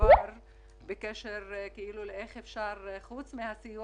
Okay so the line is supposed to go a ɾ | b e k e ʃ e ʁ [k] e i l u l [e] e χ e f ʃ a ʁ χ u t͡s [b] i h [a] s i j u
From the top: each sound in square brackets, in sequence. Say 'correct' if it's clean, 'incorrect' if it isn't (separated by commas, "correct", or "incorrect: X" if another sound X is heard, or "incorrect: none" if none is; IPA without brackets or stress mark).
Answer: correct, correct, incorrect: m, correct